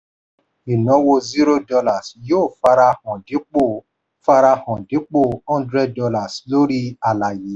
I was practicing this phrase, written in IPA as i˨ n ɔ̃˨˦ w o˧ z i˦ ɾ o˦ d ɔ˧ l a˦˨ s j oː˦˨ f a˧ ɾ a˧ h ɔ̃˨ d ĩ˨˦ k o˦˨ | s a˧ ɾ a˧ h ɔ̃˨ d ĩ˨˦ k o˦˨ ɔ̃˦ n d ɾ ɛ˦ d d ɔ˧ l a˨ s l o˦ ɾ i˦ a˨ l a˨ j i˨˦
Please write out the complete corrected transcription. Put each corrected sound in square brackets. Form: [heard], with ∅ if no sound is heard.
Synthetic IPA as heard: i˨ n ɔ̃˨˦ w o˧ z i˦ ɾ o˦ d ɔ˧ l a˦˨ s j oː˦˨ f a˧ ɾ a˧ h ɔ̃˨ d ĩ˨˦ [k͡p] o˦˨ | [f] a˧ ɾ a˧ h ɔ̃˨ d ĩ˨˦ [k͡p] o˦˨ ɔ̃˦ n d ɾ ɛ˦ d d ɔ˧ l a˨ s l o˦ ɾ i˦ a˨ l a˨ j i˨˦